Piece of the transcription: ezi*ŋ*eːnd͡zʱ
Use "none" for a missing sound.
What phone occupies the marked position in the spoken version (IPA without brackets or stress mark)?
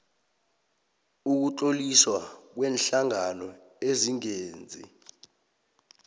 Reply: ŋ